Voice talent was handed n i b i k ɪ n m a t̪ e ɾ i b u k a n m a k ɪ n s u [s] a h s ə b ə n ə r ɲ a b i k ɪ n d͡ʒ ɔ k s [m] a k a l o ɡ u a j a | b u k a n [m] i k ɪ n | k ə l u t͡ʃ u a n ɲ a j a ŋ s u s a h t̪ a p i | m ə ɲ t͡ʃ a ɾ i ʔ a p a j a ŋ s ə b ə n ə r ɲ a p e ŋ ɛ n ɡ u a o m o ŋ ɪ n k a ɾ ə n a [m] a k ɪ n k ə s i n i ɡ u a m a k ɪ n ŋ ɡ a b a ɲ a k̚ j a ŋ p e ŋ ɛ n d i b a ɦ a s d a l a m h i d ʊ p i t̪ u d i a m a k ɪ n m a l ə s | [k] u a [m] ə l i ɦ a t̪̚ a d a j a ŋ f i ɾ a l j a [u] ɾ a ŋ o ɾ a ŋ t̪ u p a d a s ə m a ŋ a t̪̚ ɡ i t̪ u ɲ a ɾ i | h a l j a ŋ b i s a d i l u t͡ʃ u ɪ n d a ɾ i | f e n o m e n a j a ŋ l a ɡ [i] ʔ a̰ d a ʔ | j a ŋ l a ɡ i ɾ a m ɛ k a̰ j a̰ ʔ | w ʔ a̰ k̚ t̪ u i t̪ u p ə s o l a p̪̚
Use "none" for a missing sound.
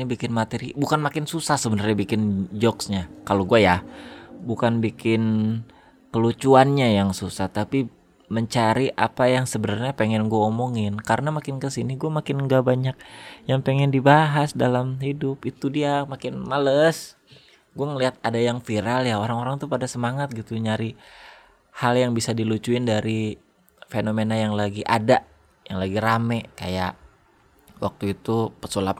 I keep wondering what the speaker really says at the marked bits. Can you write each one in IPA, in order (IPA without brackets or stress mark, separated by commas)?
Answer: s, ɲ, b, m, ɡ, ŋ, o, i